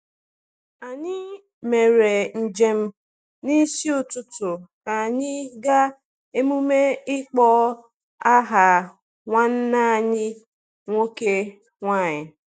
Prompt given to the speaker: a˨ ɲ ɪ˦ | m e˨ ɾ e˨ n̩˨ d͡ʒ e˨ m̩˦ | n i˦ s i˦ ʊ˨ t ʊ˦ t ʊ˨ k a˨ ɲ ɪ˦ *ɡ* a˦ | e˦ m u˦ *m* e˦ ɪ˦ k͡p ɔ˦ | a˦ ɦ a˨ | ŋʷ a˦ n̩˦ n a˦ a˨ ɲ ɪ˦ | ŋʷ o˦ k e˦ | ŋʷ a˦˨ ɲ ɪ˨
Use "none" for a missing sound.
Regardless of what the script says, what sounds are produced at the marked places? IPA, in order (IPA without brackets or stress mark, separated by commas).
ɡ, m